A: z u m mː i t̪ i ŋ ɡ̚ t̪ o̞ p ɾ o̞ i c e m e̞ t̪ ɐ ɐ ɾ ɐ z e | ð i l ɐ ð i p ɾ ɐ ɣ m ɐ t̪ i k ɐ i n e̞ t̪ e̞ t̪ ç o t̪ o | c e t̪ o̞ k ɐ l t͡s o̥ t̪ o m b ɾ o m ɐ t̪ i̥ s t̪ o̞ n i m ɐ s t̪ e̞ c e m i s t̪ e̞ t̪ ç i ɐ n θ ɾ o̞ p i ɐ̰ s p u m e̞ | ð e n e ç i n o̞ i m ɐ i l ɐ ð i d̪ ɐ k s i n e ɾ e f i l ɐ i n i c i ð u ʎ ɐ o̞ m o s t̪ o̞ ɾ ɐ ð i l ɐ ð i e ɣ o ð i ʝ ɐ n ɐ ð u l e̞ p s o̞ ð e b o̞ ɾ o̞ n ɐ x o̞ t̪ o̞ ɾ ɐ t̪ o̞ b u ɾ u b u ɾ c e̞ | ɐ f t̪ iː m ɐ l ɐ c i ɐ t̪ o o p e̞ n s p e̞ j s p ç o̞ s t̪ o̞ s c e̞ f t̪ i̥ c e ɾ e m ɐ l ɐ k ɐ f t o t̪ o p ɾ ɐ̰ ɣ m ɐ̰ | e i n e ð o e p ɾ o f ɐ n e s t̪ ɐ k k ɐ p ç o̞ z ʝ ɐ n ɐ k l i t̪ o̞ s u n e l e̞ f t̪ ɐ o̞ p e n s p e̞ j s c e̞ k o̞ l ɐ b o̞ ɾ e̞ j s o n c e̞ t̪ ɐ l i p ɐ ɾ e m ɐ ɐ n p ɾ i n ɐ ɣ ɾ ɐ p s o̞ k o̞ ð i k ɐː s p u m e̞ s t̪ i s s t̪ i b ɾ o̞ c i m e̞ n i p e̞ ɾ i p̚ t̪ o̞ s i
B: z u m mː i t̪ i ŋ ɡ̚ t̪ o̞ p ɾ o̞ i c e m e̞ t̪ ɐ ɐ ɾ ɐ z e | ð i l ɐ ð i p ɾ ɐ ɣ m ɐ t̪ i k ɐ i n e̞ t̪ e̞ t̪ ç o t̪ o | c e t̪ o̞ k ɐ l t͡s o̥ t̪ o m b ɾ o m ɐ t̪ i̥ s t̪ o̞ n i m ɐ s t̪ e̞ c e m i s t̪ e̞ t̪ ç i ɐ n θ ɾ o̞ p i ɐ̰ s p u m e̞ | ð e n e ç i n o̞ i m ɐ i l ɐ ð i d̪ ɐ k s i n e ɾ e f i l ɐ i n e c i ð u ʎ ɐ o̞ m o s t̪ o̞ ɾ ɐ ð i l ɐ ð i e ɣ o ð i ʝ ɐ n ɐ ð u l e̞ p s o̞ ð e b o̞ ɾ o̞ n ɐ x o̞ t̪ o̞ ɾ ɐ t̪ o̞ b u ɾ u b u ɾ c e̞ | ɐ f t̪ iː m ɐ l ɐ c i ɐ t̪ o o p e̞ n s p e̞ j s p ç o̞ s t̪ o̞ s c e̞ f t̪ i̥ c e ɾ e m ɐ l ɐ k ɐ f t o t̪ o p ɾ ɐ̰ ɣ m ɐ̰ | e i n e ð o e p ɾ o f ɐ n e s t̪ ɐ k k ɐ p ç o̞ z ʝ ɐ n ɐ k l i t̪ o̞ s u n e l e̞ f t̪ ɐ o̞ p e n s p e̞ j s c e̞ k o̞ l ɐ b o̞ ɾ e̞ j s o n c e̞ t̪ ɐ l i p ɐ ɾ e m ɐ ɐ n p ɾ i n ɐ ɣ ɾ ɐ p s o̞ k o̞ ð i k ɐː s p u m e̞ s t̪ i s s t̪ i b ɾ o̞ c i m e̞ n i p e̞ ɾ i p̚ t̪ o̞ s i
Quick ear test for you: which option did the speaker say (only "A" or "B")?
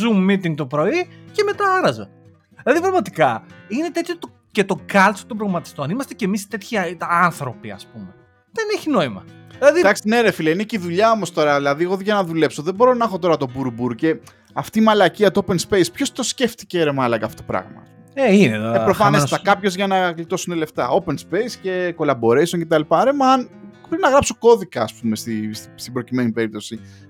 B